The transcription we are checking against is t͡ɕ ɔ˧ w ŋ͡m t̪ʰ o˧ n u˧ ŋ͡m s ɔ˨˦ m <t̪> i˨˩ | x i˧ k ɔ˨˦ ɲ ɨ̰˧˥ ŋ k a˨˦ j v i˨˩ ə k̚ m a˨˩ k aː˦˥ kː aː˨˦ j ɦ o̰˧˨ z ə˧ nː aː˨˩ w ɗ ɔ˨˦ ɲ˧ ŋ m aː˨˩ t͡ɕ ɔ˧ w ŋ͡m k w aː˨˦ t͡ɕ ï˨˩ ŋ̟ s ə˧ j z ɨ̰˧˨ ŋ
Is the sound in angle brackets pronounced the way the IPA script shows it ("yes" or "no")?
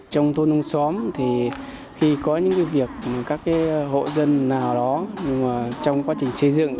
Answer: no